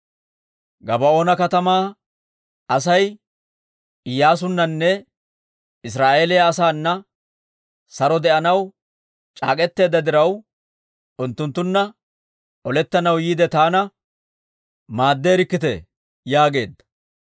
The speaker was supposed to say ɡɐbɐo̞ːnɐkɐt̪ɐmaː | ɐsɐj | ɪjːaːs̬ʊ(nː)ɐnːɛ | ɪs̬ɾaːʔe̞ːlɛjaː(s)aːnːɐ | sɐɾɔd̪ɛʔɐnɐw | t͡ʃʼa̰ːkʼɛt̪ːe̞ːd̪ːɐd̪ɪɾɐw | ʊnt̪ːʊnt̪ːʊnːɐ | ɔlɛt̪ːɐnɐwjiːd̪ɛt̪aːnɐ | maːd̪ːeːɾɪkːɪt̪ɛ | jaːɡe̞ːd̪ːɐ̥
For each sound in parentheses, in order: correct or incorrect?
correct, correct

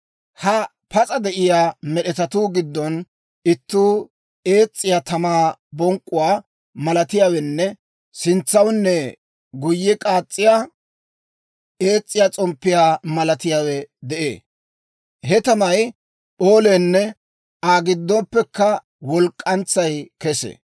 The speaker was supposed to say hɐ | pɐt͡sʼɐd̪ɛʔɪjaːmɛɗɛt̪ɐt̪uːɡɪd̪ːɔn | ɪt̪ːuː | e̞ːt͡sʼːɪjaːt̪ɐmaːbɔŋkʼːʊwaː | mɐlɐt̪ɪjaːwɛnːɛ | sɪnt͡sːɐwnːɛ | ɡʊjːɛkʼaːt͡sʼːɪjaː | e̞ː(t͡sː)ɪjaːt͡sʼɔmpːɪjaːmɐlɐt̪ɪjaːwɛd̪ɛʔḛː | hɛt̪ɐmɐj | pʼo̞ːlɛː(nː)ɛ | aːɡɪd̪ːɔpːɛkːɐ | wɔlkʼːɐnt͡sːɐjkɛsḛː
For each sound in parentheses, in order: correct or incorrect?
incorrect: t͡sʼː, correct

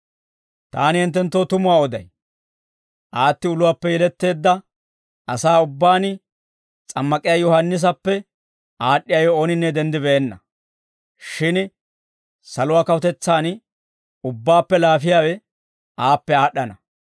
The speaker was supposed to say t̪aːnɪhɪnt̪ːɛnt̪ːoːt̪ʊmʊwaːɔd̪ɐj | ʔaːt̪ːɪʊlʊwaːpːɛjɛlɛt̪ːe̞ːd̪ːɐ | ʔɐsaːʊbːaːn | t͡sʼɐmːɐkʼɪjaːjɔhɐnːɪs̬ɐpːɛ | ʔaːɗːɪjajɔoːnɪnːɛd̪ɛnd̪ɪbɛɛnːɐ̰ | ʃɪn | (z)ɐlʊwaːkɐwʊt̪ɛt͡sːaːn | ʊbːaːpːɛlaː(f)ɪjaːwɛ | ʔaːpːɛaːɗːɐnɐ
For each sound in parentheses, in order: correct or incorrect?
incorrect: s, correct

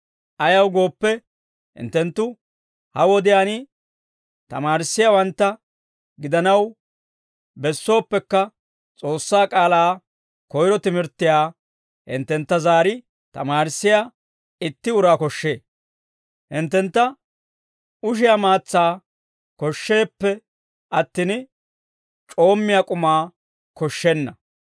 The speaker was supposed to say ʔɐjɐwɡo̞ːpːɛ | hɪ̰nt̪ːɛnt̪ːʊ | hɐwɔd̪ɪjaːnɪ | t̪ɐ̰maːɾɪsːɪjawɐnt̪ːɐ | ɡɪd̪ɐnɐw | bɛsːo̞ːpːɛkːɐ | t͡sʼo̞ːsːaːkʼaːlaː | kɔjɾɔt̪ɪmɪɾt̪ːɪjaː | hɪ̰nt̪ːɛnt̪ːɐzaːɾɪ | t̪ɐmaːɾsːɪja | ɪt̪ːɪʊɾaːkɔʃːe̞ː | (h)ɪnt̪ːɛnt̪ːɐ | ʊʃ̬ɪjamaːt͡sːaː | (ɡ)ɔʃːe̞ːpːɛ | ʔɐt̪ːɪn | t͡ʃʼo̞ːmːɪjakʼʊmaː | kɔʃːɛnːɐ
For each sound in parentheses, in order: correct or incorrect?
correct, incorrect: k

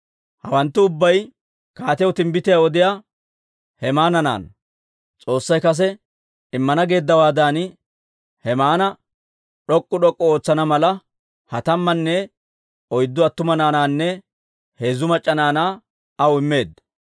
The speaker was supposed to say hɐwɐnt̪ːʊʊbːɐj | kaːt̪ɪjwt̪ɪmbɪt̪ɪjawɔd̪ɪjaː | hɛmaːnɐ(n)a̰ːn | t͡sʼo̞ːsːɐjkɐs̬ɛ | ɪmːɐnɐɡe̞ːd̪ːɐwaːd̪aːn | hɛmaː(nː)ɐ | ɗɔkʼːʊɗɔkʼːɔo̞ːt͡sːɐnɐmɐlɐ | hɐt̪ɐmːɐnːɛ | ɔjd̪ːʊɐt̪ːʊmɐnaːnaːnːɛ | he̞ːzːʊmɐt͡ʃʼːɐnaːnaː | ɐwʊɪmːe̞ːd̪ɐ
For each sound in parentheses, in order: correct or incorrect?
correct, incorrect: n

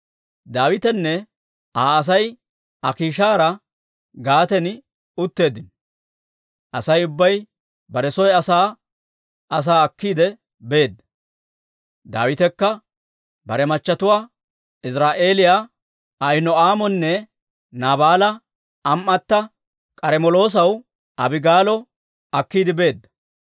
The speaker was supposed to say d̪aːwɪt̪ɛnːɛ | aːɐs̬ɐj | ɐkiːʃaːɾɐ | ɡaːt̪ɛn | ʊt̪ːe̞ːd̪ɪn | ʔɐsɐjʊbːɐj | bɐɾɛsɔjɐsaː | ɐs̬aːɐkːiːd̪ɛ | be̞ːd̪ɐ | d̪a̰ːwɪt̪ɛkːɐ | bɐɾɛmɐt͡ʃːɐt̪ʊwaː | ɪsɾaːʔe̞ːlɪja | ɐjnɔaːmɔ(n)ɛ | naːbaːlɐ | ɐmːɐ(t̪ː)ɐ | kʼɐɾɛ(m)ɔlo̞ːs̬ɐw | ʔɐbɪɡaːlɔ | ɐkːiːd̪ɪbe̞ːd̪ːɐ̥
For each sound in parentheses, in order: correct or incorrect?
incorrect: nː, correct, correct

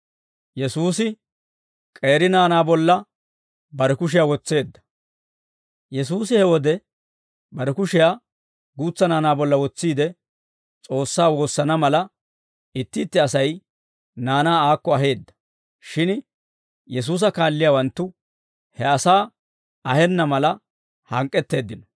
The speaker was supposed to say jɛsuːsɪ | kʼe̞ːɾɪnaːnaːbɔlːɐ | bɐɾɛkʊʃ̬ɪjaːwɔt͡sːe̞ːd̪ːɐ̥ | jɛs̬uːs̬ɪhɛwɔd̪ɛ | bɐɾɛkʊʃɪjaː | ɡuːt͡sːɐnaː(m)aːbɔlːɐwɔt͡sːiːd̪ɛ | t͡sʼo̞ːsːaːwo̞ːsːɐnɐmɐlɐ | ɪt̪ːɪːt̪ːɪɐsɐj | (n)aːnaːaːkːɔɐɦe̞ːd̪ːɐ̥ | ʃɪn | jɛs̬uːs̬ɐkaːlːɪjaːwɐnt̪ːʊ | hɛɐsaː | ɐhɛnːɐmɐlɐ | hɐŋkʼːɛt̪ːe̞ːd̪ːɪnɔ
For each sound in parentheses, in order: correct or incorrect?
incorrect: n, correct

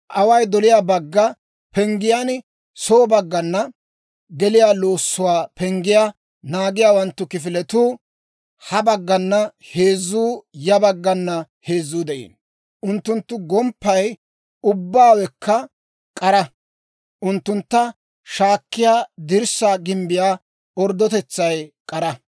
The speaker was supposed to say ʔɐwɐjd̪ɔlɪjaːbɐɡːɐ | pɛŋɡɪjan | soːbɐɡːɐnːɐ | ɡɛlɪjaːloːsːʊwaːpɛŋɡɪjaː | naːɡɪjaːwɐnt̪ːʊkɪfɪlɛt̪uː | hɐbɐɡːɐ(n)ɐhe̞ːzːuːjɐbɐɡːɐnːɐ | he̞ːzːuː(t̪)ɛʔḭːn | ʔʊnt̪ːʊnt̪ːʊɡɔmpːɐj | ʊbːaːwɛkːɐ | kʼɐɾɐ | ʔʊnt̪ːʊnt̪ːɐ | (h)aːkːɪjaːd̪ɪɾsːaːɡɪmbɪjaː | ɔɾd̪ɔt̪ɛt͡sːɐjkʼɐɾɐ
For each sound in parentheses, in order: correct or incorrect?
incorrect: nː, incorrect: d̪, incorrect: ʃ

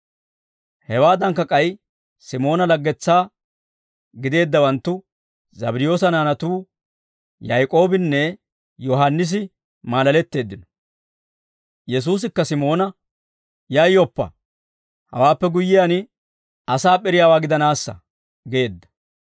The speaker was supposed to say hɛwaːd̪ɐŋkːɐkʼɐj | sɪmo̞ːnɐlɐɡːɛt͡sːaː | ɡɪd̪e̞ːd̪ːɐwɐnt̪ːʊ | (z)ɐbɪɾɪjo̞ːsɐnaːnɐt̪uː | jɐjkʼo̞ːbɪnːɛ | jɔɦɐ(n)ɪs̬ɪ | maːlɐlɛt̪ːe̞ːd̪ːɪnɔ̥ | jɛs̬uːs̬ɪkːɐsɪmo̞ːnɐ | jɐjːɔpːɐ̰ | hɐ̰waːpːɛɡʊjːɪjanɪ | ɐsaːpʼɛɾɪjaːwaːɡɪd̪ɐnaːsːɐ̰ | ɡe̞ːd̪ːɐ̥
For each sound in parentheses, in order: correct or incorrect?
correct, incorrect: nː

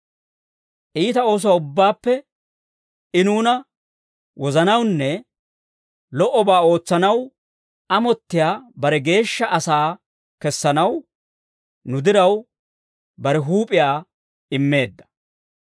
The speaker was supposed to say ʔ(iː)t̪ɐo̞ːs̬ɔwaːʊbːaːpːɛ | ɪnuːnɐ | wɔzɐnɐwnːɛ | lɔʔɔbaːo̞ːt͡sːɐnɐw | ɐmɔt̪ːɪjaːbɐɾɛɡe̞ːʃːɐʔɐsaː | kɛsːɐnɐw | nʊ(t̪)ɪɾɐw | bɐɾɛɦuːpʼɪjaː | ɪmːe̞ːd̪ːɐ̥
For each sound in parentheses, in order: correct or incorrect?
correct, incorrect: d̪

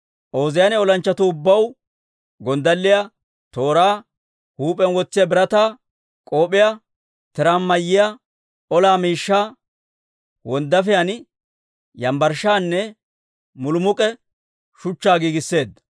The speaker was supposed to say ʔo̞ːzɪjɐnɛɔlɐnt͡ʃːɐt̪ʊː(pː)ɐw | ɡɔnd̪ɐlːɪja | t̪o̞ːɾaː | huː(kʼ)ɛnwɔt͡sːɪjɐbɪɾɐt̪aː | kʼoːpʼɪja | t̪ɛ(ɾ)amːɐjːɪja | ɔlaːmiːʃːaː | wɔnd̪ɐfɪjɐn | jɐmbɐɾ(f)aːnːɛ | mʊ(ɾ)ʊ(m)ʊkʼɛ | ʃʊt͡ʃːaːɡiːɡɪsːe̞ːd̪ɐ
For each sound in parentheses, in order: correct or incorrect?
incorrect: bː, incorrect: pʼ, correct, incorrect: ʃ, incorrect: l, correct

